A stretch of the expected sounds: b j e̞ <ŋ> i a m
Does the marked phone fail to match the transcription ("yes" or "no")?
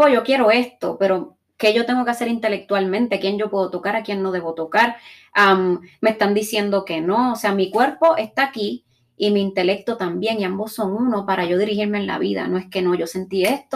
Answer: no